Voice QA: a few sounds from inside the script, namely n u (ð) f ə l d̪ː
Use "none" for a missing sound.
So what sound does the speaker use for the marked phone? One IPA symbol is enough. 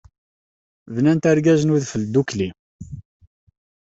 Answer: ð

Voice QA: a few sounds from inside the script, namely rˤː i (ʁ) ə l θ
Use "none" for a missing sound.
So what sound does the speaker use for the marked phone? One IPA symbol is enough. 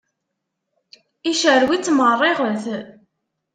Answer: ʁ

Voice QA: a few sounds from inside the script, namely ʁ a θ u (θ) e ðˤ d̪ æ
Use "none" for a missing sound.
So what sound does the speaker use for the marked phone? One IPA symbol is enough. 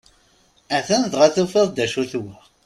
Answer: f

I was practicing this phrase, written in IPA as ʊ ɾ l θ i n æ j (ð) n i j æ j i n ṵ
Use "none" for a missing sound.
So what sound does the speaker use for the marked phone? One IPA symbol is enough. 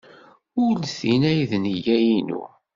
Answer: ð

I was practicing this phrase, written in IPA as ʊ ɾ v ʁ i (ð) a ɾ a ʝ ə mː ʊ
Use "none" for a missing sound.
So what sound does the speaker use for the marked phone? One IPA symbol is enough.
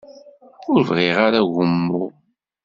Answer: ʁ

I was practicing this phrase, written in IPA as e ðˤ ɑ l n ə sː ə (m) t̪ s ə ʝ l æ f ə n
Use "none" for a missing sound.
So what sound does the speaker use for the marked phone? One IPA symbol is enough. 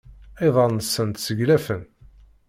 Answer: n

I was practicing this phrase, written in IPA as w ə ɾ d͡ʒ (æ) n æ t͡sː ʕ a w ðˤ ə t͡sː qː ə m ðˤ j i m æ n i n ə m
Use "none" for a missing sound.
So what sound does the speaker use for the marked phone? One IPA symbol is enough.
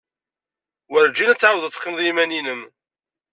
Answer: i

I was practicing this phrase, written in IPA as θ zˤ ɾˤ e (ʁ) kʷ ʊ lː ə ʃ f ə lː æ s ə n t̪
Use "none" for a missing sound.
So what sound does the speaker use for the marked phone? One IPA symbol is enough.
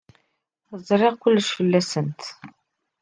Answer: ʁ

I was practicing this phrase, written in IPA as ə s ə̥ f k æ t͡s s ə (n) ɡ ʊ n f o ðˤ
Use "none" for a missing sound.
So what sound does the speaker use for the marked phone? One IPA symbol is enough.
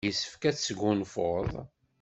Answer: none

